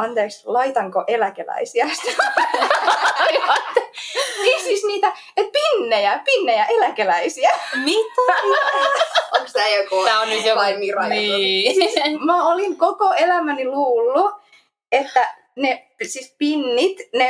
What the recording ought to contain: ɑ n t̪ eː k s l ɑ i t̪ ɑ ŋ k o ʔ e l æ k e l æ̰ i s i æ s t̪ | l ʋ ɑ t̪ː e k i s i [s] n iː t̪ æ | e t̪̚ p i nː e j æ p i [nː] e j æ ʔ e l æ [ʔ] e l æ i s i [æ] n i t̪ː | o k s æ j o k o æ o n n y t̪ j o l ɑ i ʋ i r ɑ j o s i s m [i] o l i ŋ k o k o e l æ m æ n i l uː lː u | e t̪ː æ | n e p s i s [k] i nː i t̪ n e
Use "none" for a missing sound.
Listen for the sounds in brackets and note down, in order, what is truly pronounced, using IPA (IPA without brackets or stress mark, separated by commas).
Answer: s, nː, k, æ, æ, p